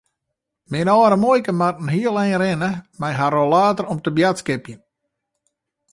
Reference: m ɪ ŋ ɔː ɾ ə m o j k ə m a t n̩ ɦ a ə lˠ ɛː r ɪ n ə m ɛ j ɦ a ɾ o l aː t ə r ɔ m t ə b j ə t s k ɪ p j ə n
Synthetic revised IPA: m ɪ n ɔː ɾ ə m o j k ə m a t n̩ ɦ i ə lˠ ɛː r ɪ n ə m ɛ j ɦ a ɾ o l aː t ə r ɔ m t ə b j a t s k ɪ p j ə n